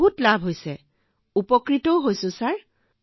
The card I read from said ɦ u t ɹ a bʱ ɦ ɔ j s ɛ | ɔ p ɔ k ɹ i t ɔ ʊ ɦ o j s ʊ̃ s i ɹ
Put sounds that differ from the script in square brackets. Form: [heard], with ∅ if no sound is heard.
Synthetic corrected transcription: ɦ u t [l] a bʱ ɦ [o] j s ɛ | [u] p ɔ k ɹ i t ɔ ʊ ɦ o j s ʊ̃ s [a] ɹ